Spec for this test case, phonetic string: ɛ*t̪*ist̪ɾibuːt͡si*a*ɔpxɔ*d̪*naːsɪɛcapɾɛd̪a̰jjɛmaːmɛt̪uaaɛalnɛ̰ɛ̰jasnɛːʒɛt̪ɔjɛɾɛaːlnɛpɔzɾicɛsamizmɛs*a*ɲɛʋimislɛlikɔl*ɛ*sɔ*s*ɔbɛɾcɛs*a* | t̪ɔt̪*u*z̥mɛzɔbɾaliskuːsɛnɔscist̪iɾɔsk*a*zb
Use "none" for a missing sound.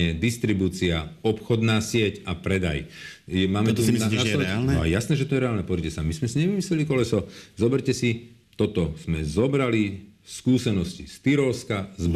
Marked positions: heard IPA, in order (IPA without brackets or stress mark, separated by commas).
d̪, a, d̪, i, ɛ, z, i, ɔ, a